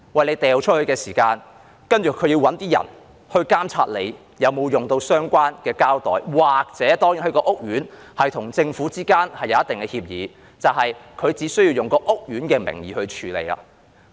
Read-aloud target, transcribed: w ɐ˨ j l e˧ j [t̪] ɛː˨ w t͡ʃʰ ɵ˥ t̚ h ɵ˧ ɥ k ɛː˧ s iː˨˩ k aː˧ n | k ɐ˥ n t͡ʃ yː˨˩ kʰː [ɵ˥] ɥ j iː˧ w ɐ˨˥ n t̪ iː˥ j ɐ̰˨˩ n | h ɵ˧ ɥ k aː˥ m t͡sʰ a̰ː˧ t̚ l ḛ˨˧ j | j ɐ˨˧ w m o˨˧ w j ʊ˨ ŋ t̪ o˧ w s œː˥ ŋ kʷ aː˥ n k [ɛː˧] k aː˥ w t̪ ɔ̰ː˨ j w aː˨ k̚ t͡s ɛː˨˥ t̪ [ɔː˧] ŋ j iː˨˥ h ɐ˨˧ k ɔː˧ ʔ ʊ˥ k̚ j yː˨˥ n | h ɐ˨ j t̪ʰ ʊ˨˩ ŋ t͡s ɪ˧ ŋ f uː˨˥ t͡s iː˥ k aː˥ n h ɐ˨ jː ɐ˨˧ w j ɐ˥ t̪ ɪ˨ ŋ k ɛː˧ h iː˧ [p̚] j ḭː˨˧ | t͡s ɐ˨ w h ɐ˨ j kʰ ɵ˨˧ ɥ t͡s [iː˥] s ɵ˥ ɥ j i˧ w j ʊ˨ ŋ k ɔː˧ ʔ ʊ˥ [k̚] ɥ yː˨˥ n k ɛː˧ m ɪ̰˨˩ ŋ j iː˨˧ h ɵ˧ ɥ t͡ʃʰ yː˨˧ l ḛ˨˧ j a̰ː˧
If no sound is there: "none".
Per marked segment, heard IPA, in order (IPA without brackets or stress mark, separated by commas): t̪, ɵ˨˧, ɛː˧, ɔː˥, p̚, iː˨˥, k̚